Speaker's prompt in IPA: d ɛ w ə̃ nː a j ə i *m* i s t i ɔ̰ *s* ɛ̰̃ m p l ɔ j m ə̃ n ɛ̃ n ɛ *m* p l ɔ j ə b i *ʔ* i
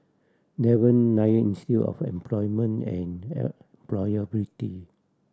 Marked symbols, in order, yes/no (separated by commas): no, no, yes, no